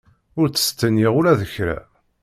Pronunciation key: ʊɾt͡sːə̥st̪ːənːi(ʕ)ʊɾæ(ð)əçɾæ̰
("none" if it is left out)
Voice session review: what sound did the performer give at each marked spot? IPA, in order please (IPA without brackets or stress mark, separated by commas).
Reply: ʁ, ð